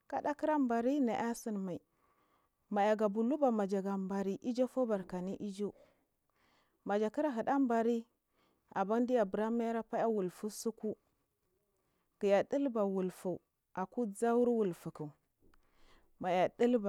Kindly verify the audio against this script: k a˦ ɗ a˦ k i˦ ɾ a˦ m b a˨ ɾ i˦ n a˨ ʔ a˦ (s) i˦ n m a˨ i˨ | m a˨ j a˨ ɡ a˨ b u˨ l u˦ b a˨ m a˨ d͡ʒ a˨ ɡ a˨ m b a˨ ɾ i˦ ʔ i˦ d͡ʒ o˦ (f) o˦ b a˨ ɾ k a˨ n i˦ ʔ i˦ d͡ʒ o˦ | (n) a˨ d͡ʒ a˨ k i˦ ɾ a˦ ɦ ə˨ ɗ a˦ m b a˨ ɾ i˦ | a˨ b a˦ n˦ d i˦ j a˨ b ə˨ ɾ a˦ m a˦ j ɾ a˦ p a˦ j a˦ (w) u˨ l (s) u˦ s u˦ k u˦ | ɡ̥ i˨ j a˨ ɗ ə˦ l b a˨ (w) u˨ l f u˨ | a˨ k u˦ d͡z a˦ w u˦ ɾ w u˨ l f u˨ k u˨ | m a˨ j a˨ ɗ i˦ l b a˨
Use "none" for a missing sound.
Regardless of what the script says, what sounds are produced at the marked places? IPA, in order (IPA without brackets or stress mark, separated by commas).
s, f, m, w, f, w